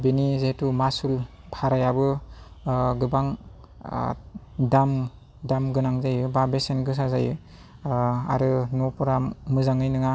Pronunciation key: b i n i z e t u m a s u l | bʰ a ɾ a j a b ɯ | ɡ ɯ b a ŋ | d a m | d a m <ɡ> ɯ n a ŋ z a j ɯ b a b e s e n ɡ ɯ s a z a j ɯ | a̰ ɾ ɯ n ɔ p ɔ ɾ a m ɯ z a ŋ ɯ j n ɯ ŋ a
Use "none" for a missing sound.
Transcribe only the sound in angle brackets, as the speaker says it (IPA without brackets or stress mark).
ɡ